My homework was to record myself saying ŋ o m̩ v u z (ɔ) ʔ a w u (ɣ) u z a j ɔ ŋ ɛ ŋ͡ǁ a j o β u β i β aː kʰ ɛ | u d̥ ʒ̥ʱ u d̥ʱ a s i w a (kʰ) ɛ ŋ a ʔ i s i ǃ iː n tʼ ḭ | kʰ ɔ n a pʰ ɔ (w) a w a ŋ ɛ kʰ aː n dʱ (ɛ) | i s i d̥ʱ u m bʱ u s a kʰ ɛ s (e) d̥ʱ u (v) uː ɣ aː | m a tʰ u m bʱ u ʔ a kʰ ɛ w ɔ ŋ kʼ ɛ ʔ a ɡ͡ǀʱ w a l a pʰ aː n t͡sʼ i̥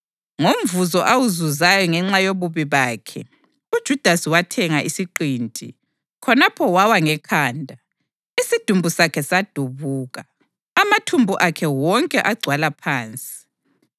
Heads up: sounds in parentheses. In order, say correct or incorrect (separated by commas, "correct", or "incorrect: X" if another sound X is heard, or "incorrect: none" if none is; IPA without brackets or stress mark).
correct, incorrect: z, incorrect: tʰ, correct, incorrect: a, incorrect: a, incorrect: β